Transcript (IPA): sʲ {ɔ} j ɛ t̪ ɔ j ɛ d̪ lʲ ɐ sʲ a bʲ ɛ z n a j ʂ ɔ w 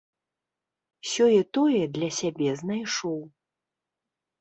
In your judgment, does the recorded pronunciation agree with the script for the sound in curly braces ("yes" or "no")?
yes